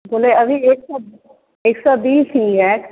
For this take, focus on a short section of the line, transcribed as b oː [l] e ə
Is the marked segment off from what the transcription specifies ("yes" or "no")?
no